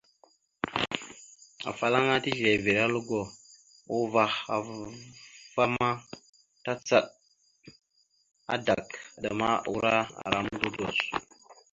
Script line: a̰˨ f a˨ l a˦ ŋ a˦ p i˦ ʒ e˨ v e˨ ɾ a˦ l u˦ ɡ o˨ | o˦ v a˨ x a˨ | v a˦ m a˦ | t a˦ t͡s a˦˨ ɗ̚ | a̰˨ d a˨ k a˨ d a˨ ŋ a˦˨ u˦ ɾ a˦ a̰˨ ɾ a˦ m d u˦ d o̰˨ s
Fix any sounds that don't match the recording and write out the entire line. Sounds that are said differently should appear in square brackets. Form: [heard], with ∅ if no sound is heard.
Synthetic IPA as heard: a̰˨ f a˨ l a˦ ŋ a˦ [t] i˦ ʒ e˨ v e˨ ɾ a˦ l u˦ ɡ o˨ | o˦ v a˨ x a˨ | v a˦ m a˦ | t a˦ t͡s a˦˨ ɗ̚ | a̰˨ d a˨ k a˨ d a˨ [m] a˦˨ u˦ ɾ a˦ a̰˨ ɾ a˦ m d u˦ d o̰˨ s